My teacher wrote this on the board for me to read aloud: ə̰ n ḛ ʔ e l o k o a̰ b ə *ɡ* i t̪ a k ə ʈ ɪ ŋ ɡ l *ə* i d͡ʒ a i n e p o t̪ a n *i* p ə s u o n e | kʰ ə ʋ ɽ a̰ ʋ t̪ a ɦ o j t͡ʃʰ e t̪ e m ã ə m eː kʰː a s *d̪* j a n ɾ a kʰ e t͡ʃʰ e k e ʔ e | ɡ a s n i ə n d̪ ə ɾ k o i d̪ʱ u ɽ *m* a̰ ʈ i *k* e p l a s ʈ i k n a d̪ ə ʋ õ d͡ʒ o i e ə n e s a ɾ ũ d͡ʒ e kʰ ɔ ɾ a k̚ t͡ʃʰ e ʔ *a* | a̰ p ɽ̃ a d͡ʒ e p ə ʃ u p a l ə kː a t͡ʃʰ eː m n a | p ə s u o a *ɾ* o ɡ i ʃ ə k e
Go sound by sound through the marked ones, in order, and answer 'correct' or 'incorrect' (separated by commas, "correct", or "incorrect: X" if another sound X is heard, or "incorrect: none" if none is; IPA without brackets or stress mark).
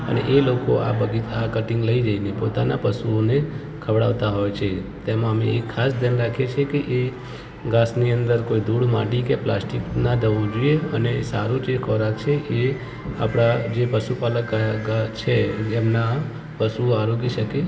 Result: correct, correct, incorrect: a, correct, correct, correct, incorrect: e, correct